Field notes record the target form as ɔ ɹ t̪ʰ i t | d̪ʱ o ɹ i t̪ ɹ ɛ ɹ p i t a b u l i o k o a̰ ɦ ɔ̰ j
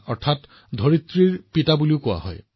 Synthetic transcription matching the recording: ɔ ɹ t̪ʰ a t | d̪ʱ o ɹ i t̪ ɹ i ɹ p i t a b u l i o k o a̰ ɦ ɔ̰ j

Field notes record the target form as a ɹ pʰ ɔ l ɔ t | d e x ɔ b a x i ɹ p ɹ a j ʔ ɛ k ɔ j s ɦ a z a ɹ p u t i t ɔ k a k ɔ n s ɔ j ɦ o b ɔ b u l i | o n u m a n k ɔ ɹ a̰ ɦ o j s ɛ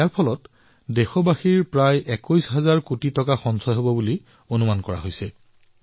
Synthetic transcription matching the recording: a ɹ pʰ ɔ l ɔ t | d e x ɔ b a x i ɹ p ɹ a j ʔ ɛ k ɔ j s ɦ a z a ɹ k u t i t ɔ k a x ɔ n s ɔ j ɦ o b ɔ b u l i | o n u m a n k ɔ ɹ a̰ ɦ o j s ɛ

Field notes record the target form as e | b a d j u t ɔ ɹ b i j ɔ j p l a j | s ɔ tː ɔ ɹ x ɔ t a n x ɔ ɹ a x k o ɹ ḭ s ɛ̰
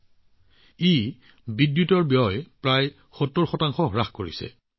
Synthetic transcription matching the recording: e | b i d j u t ɔ ɹ b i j ɔ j p ɹ a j | x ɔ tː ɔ ɹ x ɔ t a ŋ x ɔ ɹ a x k o ɹ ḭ s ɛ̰

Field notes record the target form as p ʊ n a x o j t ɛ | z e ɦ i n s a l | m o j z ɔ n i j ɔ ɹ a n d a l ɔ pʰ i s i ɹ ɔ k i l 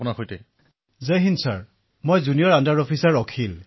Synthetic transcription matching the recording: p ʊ n a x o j t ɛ | z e ɦ i n s a ɹ | m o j z u n i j ɔ ɹ a n d a ɹ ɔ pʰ i s a ɹ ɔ kʰ i l

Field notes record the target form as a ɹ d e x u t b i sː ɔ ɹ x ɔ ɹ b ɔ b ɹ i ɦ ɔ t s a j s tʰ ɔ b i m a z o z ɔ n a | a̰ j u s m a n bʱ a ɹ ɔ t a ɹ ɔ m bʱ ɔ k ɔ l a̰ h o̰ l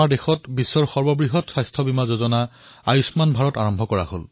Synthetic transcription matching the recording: a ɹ d e x ɔ t b i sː ɔ ɹ x ɔ ɹ b ɔ b ɹ i ɦ ɔ t s a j s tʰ ɔ b i m a z o z ɔ n a | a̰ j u s m a n bʱ a ɹ ɔ t a ɹ ɔ m bʱ ɔ k ɔ ɹ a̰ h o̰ l

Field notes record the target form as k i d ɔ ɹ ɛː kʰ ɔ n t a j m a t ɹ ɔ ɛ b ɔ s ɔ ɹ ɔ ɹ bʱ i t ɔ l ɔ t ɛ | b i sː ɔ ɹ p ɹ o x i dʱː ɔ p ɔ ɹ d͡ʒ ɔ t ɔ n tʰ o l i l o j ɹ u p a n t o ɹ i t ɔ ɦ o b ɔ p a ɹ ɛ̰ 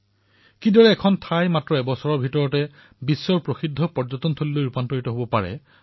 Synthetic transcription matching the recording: k i d ɔ ɹ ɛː kʰ ɔ n tʰ a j m a t ɹ ɔ ɛ b ɔ s ɔ ɹ ɔ ɹ bʱ i t ɔ ɹ ɔ t ɛ | b i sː ɔ ɹ p ɹ o x i dʱː ɔ p ɔ ɹ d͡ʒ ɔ t ɔ n tʰ o l i l o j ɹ u p a n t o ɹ i t ɔ ɦ o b ɔ p a ɹ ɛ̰

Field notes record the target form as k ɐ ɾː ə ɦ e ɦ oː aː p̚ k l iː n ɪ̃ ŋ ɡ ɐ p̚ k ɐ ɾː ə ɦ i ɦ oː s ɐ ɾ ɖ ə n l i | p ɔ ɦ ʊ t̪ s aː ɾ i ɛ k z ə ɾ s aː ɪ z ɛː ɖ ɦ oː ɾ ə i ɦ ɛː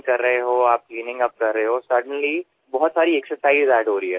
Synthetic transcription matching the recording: k ɐ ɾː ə ɦ e ɦ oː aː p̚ k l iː n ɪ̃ ŋ ɡ ɐ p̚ k ɐ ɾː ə ɦ e ɦ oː s ɐ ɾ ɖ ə n l i | b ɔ ɦ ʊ t̪ s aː ɾ i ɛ k s ə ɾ s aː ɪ z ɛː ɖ ɦ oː ɾ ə i ɦ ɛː

